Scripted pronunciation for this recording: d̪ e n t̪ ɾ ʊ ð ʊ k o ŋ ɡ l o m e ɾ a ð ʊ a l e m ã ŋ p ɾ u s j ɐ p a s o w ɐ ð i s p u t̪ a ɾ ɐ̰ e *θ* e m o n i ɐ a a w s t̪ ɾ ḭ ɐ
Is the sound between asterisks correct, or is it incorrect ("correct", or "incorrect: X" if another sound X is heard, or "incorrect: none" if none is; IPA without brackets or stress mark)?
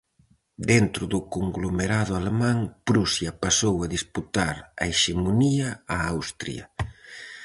incorrect: ʃ